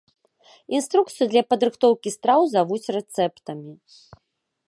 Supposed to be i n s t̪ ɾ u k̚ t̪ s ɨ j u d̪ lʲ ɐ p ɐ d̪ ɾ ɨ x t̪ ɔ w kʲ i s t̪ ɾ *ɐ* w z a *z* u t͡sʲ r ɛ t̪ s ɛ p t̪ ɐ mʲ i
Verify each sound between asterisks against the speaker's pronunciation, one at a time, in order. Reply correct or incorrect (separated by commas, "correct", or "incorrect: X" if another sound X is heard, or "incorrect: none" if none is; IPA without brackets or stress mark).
incorrect: a, incorrect: v